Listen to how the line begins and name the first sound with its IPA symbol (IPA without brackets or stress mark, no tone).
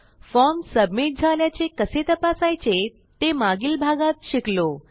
f